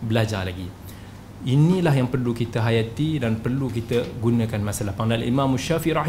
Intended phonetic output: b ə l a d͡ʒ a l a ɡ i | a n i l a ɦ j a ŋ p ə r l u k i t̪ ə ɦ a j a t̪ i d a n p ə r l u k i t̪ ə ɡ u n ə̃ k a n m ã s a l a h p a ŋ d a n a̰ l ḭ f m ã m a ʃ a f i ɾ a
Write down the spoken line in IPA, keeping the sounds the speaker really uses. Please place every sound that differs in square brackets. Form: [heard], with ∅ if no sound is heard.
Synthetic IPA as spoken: b ə l a d͡ʒ a l a ɡ i | [i] n i l a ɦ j a ŋ p ə r l u k i t̪ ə ɦ a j a t̪ i d a n p ə r l u k i t̪ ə ɡ u n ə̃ k a n m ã s a l a h p a ŋ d a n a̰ l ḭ [∅] m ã m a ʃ a f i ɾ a